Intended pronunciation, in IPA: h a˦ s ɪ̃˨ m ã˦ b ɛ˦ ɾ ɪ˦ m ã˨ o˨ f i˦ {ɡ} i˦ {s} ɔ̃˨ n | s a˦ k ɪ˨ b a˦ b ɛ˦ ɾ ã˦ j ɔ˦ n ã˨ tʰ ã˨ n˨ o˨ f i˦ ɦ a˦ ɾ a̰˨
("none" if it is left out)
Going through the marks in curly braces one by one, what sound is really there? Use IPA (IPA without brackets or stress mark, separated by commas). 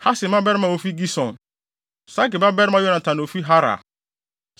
ɡ, s